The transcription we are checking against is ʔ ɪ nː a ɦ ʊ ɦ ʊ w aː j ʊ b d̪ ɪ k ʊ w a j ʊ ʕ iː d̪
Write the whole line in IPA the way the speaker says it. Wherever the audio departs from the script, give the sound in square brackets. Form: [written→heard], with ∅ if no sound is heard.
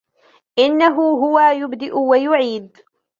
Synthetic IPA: ʔ ɪ nː a ɦ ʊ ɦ ʊ w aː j ʊ b d̪ ɪ [k→ʔ] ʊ w a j ʊ ʕ iː d̪